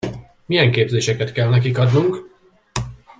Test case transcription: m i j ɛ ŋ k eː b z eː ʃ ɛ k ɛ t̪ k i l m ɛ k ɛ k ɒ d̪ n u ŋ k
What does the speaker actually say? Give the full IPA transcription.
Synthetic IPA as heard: m i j ɛ ŋ k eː b z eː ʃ ɛ k ɛ t̪ k ɛ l n ɛ k i k ɒ d̪ n u ŋ k